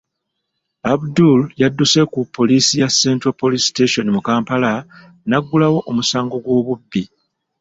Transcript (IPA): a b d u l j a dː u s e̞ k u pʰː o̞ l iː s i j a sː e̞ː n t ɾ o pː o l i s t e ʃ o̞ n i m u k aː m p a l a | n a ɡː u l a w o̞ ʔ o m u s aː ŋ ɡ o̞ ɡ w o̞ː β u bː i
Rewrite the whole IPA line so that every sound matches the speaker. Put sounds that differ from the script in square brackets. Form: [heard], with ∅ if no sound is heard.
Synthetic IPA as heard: a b d u l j a dː u s e̞ k u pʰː o̞ l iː s i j a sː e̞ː n t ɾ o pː o l i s t e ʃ o̞ n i m u k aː m p a l a | n a ɡː u l a w o̞ ʔ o m u s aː ŋ ɡ o̞ ɡ w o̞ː β u bː i